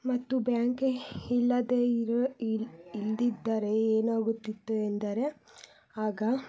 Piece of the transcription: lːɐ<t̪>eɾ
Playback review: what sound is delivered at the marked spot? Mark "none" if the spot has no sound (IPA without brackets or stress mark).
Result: d̪